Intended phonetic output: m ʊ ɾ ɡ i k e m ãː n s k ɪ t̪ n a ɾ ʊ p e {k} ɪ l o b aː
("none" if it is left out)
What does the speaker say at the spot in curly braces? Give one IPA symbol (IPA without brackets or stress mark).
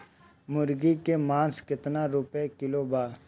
k